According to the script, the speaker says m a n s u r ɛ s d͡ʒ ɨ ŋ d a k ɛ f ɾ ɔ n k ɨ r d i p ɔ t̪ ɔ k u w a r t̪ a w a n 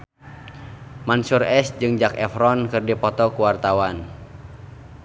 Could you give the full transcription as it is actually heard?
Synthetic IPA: m a n s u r ɛ s d͡ʒ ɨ ŋ d͡ʒ a k ɛ f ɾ ɔ n k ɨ r d i p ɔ t̪ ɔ k u w a r t̪ a w a n